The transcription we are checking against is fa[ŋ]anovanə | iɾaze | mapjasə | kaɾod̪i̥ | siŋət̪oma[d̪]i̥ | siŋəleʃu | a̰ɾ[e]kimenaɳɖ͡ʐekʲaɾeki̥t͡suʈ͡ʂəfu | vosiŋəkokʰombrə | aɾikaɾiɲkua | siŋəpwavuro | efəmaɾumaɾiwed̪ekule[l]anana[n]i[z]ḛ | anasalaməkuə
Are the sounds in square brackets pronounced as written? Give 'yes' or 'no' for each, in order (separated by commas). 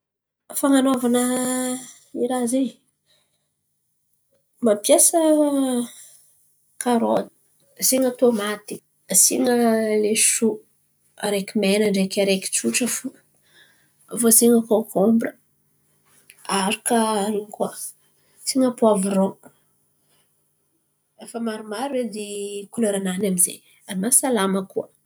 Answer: yes, no, yes, no, no, yes